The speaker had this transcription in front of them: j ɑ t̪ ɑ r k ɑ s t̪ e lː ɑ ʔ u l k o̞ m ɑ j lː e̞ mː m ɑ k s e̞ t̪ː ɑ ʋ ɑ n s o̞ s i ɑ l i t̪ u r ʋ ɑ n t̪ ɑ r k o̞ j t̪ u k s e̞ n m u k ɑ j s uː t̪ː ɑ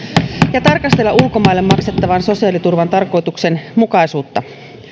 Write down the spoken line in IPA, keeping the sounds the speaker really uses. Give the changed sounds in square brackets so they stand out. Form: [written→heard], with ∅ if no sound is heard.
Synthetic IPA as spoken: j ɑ t̪ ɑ r k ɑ s t̪ e lː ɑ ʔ u l k o̞ m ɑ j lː e̞ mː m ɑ k s e̞ t̪ː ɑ ʋ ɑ n s o̞ s i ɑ l i t̪ u r ʋ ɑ n t̪ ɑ r k o̞ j t̪ u k s e̞ n m u k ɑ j s uː t̪ː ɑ